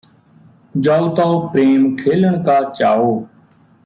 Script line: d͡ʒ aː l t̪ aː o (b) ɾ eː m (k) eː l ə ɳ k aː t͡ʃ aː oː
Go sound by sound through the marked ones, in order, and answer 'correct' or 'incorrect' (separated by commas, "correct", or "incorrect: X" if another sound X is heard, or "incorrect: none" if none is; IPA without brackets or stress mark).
incorrect: p, incorrect: kʰ